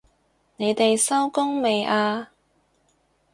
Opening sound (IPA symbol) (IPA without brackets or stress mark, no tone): n